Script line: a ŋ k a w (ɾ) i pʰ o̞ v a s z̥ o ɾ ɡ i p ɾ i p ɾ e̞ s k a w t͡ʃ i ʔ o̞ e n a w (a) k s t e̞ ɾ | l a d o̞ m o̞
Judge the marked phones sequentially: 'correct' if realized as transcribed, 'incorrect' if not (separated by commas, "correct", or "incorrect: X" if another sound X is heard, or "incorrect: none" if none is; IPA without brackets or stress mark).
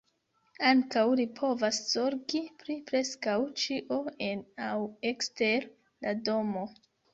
incorrect: l, incorrect: e